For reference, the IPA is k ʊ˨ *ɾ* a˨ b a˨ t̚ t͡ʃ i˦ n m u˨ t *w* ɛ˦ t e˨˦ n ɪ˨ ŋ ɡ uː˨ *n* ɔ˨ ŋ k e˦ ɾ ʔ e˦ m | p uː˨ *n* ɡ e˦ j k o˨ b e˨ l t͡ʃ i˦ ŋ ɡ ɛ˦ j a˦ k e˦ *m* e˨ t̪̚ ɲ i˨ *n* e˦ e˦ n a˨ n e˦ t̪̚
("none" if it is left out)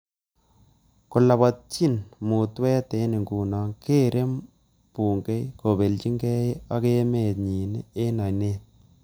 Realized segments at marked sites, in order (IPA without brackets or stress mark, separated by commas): l, w, n, ŋ, m, n